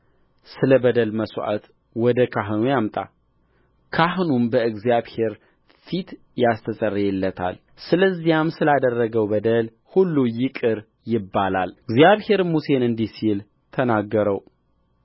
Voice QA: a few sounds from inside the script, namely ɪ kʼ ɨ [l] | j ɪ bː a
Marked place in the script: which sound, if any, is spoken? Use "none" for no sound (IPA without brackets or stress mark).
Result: ɾ